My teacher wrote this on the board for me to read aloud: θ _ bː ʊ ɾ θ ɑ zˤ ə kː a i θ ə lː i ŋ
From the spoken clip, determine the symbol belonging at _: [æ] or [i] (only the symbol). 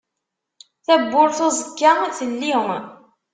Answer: æ